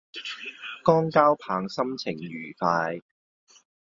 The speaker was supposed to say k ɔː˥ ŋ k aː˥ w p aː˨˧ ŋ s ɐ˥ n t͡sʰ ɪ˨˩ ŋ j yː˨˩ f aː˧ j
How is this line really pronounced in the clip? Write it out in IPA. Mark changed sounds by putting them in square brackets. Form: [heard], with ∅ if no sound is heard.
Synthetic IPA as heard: k ɔː˥ ŋ k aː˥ w [pʰ] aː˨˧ ŋ s ɐ˥ [m] t͡sʰ ɪ˨˩ ŋ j yː˨˩ f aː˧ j

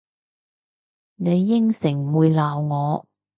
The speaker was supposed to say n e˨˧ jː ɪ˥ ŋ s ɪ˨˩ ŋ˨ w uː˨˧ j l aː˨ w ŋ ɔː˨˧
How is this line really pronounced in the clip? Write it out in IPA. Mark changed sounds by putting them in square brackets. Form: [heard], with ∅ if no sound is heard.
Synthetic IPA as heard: n e˨˧ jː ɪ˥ ŋ s ɪ˨˩ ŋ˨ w uː˨˧ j l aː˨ w ŋ ɔː˨˧

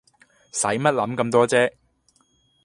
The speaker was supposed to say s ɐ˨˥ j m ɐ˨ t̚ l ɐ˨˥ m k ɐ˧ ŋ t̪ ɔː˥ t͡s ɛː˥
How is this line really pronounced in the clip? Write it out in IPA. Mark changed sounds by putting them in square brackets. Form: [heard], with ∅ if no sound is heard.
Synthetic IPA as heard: s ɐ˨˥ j m [ɐ˥] t̚ l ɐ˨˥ m k ɐ˧ [m] t̪ ɔː˥ t͡s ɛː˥

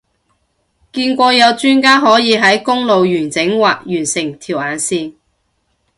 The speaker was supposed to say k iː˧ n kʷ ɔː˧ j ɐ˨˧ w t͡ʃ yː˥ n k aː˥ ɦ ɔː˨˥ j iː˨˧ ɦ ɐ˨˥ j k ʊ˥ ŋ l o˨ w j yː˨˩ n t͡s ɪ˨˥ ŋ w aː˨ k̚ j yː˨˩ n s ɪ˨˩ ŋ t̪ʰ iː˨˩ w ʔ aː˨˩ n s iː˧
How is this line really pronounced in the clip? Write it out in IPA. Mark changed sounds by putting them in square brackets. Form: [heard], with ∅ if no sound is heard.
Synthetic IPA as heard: k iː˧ n kʷ ɔː˧ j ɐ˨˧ w t͡ʃ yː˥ n k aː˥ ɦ ɔː˨˥ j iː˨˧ ɦ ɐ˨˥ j k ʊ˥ ŋ l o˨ w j yː˨˩ n t͡s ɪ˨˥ ŋ w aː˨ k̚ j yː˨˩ n s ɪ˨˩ ŋ t̪ʰ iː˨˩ w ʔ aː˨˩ n s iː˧

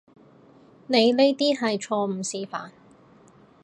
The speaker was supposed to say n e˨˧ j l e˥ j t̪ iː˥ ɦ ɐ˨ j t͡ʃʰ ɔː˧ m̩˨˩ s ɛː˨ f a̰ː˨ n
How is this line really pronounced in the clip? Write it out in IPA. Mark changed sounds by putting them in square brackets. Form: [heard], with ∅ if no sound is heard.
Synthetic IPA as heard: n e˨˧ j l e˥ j t̪ iː˥ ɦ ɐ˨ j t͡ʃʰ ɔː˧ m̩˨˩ s [iː˨] f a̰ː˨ n

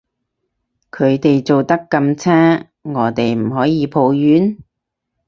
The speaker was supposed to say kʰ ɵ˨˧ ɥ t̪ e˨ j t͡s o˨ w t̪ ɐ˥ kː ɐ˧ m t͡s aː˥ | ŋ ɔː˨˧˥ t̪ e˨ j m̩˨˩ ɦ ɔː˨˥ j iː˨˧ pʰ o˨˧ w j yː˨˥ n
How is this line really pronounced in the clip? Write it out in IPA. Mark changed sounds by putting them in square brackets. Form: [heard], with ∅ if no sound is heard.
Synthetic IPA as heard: kʰ ɵ˨˧ ɥ t̪ e˨ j t͡s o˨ w t̪ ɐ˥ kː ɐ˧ m [t͡sʰ] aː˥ | ŋ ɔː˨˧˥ t̪ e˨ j m̩˨˩ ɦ ɔː˨˥ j iː˨˧ pʰ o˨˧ w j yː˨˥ n

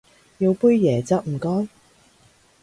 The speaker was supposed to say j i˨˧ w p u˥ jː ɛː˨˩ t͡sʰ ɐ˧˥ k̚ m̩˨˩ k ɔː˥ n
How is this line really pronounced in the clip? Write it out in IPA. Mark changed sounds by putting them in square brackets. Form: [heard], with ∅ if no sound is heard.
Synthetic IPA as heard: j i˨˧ w p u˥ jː ɛː˨˩ [t͡s] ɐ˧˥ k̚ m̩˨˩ k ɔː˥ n

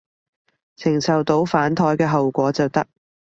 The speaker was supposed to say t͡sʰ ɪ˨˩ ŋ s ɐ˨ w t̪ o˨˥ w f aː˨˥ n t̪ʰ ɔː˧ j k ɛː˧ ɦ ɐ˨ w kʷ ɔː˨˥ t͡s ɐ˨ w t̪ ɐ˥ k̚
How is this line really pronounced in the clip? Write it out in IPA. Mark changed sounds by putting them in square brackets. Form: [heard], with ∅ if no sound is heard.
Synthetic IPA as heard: t͡sʰ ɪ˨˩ ŋ s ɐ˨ w t̪ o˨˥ w f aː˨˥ n t̪ʰ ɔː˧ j k ɛː˧ ɦ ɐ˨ w kʷ ɔː˨˥ t͡s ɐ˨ w t̪ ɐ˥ k̚

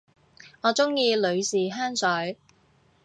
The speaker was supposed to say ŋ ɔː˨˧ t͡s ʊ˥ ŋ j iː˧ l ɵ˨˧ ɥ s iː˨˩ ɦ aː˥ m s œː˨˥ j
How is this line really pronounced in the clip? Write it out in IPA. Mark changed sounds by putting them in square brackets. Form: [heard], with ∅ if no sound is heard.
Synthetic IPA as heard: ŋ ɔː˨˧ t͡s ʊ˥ ŋ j iː˧ l ɵ˨˧ ɥ s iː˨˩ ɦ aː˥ [n] s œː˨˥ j

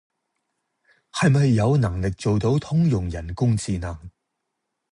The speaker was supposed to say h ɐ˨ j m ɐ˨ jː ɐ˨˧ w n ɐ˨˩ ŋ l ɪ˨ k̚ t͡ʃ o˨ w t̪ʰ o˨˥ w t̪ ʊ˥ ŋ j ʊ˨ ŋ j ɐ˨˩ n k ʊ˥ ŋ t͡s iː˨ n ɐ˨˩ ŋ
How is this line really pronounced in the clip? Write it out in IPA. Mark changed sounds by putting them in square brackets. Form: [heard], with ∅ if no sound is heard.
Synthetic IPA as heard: h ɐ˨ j m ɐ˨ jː ɐ˨˧ w n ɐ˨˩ ŋ l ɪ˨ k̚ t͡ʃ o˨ w [t̪] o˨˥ w [t̪ʰ] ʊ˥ ŋ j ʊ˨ ŋ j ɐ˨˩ n k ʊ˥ ŋ t͡s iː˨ n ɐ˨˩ ŋ

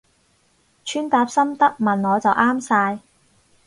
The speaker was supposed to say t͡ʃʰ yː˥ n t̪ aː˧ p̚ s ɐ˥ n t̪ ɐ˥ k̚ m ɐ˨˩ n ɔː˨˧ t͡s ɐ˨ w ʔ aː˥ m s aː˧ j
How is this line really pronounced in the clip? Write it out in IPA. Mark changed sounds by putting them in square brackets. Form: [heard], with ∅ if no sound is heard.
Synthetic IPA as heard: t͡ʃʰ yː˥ n t̪ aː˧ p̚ s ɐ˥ [m] t̪ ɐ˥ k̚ m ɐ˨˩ n ɔː˨˧ t͡s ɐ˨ w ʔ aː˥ m s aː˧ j

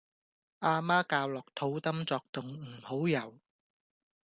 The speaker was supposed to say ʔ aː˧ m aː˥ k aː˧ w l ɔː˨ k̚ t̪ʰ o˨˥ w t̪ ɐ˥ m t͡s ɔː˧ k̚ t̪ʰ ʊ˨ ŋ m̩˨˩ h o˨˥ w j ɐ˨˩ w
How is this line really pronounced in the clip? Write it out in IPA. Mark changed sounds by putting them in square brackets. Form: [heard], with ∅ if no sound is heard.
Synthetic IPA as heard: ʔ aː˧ m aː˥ k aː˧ w l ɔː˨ k̚ t̪ʰ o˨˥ w t̪ ɐ˥ m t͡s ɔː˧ k̚ [t̪] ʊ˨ ŋ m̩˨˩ h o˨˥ w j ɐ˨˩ w

